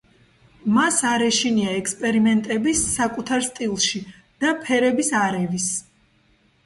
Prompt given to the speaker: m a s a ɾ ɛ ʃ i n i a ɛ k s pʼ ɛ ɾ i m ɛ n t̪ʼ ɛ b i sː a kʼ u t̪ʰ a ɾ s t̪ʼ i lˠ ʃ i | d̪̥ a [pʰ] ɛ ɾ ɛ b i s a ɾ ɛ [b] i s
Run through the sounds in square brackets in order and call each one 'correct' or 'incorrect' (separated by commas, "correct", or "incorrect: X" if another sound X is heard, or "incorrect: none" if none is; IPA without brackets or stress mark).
correct, incorrect: v